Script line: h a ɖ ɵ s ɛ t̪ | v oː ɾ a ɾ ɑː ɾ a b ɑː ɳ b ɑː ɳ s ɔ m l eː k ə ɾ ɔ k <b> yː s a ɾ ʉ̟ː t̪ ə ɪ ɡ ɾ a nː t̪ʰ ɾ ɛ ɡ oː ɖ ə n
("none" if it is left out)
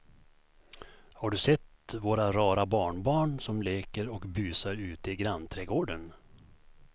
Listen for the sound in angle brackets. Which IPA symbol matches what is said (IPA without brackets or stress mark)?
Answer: b